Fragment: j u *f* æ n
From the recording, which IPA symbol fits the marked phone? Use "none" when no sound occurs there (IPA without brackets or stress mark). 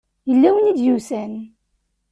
s